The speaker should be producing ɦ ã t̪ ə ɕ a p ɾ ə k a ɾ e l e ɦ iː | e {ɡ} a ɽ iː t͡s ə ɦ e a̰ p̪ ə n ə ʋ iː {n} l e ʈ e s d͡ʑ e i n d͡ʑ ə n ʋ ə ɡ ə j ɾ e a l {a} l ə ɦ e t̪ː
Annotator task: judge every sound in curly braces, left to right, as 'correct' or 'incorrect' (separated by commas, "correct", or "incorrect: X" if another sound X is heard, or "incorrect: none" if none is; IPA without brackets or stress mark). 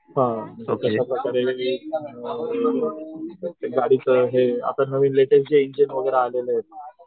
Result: correct, correct, incorrect: e